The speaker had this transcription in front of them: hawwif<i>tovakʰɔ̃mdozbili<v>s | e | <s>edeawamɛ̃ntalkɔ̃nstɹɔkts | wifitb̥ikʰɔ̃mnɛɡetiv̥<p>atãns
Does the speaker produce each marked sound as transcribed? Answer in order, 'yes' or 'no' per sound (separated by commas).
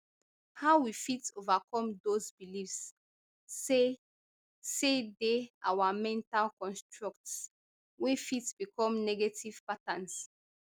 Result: yes, no, yes, yes